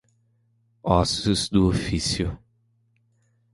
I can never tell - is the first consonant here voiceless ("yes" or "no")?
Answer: yes